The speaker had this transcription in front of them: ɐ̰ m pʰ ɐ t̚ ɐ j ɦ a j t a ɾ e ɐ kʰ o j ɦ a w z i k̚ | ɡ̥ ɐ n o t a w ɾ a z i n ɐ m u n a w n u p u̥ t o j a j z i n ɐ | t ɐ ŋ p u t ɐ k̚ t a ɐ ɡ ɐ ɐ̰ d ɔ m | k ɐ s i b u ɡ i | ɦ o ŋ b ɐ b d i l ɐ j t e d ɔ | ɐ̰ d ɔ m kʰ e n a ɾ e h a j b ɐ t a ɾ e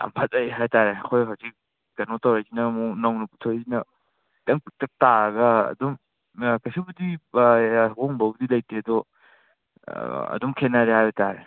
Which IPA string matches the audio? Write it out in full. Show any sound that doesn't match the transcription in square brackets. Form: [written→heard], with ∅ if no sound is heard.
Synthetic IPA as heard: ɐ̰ m pʰ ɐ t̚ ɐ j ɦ a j t a ɾ e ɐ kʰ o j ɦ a w z i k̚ | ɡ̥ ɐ n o t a w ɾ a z i n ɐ m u n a w n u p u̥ [t→tʰ] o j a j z i n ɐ | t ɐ ŋ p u t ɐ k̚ t a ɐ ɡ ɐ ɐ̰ d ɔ m | k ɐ s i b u [ɡ→d] i | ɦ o ŋ b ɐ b d i l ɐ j t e d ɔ | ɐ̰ d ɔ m kʰ e n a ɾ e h a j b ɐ t a ɾ e